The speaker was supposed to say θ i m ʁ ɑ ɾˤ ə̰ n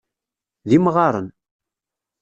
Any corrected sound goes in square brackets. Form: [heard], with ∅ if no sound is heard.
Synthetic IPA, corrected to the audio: [ð] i m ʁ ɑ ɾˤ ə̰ n